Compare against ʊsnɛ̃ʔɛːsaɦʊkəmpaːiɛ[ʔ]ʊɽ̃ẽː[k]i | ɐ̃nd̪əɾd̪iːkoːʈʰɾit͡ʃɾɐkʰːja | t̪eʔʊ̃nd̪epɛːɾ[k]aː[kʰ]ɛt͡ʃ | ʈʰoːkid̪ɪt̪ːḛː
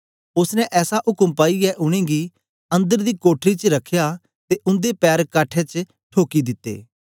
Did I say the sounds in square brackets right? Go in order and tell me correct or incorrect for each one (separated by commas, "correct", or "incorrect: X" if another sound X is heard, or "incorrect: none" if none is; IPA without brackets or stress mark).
correct, incorrect: ɡ, correct, incorrect: ʈʰ